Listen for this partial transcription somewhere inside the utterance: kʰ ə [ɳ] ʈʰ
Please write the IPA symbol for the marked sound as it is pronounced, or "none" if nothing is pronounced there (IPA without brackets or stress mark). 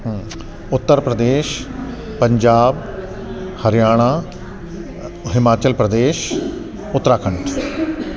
ɳ